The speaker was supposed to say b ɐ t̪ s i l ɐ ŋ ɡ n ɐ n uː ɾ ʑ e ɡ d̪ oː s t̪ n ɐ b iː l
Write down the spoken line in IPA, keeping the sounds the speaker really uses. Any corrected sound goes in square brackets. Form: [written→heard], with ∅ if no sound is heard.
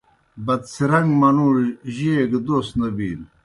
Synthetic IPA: b ɐ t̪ s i [l→ɾ] ɐ ŋ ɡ [n→m] ɐ n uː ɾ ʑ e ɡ d̪ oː s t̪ n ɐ b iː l